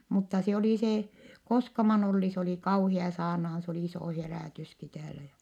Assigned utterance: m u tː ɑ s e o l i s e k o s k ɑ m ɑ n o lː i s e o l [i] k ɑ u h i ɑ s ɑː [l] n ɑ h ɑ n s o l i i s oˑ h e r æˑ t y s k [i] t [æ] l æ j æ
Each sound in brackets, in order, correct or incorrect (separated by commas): correct, incorrect, correct, incorrect